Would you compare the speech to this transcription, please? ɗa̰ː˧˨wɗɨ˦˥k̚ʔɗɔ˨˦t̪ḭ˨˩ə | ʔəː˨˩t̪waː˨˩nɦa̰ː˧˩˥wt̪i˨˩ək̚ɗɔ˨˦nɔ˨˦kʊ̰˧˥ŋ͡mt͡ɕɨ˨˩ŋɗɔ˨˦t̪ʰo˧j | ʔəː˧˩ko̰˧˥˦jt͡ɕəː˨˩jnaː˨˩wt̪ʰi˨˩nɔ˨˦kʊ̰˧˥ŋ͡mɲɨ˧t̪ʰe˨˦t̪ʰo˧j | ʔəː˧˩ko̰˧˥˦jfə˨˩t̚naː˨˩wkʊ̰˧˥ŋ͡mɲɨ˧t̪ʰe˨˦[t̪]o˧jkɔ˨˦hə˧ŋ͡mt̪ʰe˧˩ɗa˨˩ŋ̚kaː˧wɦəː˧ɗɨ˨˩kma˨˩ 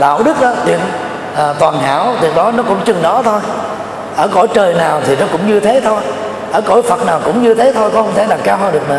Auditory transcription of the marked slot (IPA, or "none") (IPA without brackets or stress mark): t̪ʰ